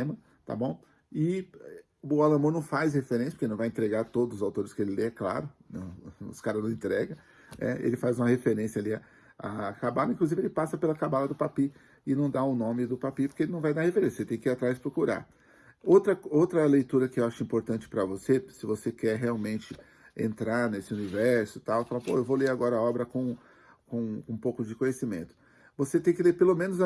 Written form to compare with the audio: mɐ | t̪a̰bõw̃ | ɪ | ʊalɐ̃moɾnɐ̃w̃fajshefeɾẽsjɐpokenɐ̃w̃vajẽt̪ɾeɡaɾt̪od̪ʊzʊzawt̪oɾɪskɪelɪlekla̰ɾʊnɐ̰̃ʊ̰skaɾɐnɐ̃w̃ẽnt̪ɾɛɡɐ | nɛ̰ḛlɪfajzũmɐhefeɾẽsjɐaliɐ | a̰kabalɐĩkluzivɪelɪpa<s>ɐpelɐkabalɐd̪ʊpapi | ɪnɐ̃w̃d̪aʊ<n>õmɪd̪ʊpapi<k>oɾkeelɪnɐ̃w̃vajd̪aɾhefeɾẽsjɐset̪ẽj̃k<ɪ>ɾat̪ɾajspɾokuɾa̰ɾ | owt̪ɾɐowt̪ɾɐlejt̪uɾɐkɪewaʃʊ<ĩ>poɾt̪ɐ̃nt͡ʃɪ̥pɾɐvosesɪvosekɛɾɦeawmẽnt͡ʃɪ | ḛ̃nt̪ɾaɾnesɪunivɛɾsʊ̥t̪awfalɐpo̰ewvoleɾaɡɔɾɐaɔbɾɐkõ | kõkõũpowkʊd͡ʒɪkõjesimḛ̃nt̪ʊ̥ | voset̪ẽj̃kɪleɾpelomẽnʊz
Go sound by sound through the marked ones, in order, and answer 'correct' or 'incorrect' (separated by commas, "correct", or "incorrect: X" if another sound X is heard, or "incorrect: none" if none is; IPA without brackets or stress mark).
correct, correct, incorrect: p, incorrect: i, correct